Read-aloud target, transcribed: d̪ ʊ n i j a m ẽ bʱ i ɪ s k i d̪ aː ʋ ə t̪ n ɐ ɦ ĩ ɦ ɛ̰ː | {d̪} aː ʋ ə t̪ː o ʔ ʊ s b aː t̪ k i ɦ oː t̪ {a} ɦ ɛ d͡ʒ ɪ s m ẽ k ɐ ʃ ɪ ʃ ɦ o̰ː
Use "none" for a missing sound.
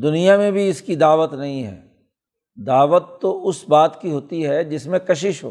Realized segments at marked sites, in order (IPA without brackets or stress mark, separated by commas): d̪, i